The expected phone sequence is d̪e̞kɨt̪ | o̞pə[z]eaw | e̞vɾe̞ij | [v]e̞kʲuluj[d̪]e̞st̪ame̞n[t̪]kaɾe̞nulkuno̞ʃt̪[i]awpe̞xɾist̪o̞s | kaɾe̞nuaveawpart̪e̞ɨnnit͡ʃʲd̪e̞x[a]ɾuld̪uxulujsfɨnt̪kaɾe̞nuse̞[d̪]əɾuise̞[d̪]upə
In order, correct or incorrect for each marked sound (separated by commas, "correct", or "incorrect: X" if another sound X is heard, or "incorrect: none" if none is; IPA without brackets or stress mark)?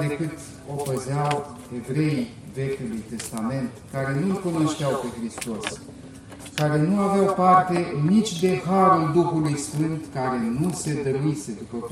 correct, correct, incorrect: t̪, correct, incorrect: e, correct, correct, correct